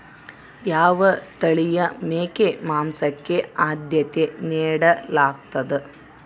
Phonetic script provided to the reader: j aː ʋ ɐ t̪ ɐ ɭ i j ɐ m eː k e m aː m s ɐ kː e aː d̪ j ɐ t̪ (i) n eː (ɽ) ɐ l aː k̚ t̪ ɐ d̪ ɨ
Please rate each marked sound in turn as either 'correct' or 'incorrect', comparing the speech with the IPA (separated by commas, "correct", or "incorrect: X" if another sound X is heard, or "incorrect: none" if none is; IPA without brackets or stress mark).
incorrect: e, correct